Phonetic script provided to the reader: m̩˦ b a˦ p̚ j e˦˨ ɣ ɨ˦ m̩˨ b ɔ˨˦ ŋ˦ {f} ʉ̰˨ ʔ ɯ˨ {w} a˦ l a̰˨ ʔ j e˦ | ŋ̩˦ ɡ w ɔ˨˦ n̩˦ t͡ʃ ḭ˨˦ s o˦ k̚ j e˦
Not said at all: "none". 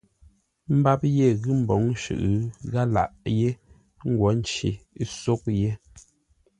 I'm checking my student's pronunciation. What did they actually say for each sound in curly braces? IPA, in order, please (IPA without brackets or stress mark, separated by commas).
ʃ, ɣ